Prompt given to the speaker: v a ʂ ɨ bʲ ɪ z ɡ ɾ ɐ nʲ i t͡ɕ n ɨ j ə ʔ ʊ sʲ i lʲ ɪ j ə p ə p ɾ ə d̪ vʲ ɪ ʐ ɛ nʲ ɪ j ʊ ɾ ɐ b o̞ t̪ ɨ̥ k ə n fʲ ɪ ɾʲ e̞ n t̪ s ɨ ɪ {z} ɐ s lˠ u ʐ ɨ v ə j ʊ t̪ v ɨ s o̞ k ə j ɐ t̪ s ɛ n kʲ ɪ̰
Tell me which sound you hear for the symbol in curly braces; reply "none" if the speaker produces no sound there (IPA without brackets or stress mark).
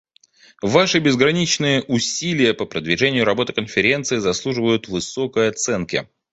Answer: z